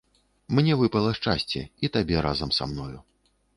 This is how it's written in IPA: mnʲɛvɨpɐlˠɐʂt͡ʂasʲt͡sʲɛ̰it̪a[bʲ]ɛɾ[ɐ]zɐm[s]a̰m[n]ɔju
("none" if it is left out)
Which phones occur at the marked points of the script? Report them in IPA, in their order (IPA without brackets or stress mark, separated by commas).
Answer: bʲ, a, s, n